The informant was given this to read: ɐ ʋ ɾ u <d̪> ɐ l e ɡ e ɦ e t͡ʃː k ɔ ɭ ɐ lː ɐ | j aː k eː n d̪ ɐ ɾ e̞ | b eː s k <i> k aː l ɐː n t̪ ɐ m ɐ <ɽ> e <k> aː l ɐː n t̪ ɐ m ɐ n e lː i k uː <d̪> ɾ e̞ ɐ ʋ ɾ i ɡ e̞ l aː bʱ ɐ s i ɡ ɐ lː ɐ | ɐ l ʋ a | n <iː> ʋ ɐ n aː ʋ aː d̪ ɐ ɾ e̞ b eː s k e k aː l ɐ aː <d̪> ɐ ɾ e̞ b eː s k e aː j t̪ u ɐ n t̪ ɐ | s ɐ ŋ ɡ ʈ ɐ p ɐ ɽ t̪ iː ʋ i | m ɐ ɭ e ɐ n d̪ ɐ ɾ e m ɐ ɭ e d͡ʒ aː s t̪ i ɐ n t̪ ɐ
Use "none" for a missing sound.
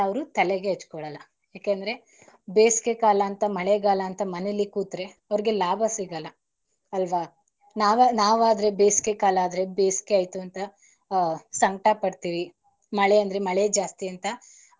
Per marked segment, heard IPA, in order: t̪, e, ɭ, ɡ, t̪, aː, d̪

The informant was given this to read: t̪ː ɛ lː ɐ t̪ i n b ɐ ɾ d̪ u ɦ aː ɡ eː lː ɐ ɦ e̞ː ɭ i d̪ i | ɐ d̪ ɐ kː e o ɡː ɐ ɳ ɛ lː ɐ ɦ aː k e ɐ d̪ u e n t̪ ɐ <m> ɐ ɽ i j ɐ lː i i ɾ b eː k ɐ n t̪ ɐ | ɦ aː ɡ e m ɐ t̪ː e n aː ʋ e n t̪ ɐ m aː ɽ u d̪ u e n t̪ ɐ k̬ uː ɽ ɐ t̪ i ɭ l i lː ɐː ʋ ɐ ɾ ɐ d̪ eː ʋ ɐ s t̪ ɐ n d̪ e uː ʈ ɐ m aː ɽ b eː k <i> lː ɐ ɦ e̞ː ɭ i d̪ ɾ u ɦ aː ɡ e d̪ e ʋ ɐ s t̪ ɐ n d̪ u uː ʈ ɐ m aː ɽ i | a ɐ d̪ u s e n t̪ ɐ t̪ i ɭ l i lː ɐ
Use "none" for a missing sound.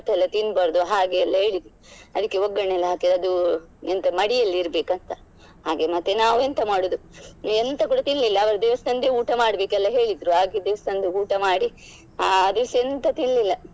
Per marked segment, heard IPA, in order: m, ɛ

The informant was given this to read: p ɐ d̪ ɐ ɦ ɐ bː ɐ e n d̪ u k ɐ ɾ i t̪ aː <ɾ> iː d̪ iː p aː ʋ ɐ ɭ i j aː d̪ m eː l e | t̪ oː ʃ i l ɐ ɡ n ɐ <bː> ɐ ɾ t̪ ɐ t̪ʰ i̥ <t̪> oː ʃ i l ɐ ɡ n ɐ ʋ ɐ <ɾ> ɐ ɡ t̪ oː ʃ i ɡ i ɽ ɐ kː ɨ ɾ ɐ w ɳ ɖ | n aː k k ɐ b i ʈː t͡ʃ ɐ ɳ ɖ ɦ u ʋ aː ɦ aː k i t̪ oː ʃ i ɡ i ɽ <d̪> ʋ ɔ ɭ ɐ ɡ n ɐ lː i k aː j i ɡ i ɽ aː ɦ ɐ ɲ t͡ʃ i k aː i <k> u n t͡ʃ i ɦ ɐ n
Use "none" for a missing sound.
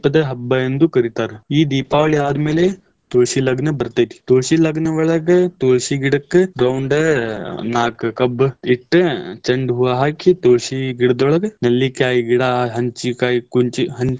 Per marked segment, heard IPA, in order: ɾ, b, t̪, ɭ, d̪, k

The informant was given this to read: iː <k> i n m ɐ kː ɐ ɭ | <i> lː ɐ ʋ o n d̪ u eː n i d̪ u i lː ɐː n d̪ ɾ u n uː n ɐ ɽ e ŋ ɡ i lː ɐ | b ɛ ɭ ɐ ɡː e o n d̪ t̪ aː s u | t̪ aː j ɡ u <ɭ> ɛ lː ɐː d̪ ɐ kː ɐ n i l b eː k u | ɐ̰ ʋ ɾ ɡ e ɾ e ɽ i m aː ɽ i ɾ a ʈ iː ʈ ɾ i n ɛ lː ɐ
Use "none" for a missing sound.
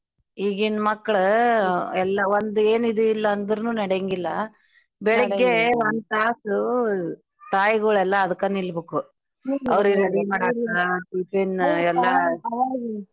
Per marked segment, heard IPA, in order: ɡ, ɛ, ɭ

